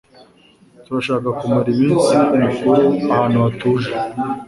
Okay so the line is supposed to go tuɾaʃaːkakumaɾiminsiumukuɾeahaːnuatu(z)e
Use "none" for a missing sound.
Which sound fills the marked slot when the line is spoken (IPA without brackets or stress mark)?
ʒ